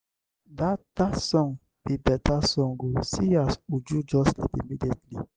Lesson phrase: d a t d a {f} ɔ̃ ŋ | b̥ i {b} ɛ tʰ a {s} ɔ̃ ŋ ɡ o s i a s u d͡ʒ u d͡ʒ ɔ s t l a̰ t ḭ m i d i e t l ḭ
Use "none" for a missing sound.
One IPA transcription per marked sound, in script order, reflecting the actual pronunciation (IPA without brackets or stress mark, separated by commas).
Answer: s, b, s